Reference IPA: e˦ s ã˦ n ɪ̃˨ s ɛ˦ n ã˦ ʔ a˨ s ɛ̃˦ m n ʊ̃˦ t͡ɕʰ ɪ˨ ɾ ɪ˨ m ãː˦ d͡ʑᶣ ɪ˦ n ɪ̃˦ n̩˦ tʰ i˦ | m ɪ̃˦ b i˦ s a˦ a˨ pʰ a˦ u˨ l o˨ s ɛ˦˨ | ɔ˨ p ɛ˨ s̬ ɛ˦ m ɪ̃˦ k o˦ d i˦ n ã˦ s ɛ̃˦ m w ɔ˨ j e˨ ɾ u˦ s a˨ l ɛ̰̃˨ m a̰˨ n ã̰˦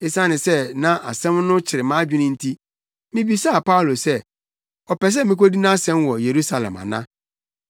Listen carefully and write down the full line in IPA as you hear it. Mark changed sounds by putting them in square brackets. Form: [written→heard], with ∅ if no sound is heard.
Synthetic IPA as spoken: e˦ s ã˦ n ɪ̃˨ s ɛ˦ n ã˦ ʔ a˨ s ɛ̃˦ m n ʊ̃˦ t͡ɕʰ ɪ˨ ɾ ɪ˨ m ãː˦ d͡ʑᶣ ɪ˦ n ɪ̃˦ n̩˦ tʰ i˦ | m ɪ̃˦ b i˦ s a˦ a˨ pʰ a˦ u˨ l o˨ s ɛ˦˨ | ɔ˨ p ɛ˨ s̬ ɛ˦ m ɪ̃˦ k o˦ d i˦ n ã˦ s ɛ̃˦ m w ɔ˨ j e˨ ɾ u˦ s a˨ l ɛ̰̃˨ m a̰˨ n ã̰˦

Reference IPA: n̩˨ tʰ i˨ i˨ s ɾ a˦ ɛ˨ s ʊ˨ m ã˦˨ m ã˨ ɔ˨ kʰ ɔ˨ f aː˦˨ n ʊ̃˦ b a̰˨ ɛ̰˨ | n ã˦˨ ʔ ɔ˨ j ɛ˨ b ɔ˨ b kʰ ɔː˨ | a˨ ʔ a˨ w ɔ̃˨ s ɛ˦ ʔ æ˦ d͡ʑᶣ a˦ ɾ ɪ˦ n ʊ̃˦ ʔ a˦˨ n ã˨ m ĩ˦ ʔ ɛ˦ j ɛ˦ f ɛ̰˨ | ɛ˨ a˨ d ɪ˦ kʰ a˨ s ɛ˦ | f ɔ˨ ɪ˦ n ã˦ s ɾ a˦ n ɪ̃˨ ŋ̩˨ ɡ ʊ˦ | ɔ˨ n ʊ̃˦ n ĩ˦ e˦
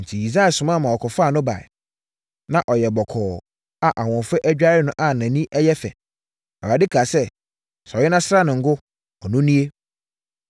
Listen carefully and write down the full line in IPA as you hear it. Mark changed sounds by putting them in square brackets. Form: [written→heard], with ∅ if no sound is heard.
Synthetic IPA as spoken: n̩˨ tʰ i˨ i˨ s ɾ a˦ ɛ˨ s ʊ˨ m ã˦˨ m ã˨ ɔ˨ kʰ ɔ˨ f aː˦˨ n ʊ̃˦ b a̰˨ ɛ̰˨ | n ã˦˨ ʔ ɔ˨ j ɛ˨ b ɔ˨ [b→∅] kʰ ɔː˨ | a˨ ʔ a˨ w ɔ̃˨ [s→f] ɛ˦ ʔ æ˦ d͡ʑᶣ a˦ ɾ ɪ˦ n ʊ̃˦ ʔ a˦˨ n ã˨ [m→n] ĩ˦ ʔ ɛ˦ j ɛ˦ f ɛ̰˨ | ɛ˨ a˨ d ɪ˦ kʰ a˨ s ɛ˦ | [f→s] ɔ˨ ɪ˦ n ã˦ s ɾ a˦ n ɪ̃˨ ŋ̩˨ ɡ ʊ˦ | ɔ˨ n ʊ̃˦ n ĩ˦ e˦

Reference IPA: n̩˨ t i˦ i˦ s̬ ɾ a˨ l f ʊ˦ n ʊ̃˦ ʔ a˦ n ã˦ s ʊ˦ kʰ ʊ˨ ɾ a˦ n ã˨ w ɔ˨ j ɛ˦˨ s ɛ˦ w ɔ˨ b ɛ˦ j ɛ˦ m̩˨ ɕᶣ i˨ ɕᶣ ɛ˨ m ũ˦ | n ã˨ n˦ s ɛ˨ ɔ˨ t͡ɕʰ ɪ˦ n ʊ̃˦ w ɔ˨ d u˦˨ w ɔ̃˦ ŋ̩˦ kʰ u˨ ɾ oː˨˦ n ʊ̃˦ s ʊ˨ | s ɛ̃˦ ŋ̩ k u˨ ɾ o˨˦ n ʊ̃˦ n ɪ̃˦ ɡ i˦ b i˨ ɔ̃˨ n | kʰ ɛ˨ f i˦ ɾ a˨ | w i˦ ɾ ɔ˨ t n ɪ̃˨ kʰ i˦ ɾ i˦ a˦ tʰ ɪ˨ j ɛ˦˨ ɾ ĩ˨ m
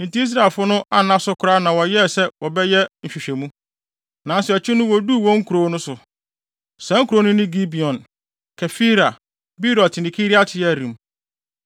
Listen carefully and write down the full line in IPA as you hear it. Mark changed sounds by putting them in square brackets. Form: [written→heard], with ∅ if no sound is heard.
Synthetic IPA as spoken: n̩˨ t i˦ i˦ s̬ ɾ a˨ l f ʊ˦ n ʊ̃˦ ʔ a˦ n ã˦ s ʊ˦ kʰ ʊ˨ ɾ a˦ n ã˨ w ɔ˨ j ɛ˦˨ s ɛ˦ w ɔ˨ b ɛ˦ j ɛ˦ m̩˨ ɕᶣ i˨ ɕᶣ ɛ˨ m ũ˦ | n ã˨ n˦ s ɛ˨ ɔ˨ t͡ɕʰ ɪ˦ n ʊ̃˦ w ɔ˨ d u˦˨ w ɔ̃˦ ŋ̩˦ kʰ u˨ ɾ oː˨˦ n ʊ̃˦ s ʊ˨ | s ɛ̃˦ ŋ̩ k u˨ ɾ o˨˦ n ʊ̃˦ n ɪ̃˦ ɡ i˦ b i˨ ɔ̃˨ n | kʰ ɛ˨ f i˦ ɾ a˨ | [w→b] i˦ ɾ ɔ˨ t n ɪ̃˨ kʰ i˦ ɾ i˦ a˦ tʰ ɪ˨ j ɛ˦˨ ɾ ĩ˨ m

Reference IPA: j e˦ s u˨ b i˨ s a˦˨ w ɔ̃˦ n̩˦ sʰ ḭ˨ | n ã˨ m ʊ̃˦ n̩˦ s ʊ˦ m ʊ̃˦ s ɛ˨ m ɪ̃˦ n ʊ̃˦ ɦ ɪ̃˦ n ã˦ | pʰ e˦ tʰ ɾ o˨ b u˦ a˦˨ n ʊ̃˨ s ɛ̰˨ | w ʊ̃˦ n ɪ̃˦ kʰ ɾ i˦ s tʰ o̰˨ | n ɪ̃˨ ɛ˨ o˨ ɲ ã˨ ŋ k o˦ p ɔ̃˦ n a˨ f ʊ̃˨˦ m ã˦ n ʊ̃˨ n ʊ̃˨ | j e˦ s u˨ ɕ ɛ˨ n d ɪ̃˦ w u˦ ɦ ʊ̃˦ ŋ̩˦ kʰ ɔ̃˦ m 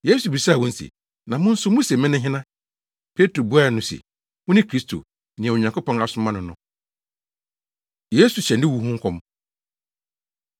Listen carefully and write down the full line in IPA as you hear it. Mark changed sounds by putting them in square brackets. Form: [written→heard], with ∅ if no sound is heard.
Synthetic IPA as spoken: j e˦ s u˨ b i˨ s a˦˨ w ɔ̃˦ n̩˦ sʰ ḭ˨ | n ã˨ m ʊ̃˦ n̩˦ s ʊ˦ m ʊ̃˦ s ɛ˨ m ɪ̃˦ n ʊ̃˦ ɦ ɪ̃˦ n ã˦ | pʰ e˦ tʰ ɾ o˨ b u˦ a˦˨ n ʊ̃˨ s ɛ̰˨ | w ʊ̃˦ n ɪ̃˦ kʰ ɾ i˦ s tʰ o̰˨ | n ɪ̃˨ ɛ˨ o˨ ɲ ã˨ ŋ k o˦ p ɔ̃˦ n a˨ [f→s] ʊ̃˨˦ m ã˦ n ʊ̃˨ n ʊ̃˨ | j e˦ s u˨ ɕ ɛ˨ n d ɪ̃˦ w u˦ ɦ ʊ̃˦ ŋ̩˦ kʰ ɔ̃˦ m

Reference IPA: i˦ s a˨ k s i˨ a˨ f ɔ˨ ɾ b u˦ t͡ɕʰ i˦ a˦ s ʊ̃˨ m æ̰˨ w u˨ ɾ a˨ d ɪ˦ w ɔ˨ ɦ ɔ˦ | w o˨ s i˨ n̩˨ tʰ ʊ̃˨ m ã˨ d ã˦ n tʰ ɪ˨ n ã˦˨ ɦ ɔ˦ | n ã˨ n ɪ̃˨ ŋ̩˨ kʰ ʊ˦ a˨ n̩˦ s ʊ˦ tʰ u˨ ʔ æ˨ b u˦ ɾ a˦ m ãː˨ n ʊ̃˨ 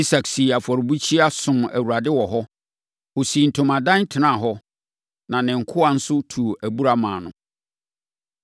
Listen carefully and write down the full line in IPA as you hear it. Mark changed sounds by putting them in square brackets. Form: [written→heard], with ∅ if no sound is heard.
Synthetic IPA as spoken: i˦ s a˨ k s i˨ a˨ f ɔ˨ ɾ b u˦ t͡ɕʰ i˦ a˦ s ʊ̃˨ m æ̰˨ w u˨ ɾ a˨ d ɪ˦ w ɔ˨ ɦ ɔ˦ | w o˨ s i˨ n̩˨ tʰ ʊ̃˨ m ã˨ d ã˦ n tʰ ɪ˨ n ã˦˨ ɦ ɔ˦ | n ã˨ n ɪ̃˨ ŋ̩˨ kʰ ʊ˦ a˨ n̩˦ s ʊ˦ tʰ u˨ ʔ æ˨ b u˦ ɾ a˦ m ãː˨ n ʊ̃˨

